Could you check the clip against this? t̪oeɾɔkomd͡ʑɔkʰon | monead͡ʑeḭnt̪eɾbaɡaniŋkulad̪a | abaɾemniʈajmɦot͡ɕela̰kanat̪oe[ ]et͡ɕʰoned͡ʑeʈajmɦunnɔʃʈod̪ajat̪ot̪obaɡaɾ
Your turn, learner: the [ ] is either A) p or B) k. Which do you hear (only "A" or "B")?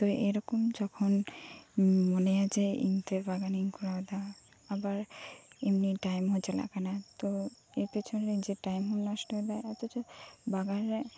A